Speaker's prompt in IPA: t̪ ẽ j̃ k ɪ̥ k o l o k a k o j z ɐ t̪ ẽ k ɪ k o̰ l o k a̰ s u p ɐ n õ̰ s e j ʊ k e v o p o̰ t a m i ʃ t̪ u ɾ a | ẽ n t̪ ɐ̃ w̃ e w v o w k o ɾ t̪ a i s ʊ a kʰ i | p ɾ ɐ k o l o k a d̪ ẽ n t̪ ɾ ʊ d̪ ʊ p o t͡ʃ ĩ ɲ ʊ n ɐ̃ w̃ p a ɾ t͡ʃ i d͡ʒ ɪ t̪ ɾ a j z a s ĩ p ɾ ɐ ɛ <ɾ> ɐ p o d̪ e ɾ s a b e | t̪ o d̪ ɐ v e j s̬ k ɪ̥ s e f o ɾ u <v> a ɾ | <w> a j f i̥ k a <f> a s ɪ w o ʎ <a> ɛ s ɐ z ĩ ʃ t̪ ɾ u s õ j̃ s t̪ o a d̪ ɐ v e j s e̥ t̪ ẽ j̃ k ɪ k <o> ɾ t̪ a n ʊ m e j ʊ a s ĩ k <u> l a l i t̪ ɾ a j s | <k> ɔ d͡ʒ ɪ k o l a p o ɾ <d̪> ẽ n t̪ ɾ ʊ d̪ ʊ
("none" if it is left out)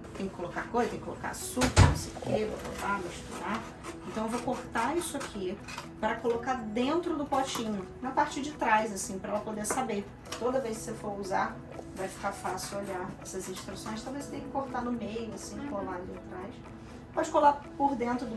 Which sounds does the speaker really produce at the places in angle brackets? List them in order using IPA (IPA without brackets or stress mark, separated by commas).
l, z, v, f, a, o, o, p, d̪